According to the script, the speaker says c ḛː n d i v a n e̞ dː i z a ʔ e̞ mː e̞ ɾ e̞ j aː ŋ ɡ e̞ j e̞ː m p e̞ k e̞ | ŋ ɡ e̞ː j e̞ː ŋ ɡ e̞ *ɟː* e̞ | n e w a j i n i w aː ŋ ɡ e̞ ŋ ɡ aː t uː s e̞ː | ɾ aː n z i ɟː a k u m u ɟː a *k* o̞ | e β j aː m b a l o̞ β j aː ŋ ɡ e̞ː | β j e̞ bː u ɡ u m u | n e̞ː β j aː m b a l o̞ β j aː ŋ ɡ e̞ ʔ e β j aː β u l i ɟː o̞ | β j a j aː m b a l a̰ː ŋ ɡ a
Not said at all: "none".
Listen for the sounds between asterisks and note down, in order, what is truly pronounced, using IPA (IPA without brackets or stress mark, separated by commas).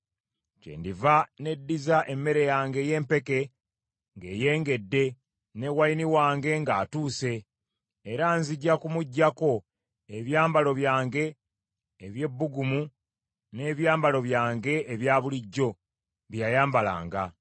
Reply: dː, k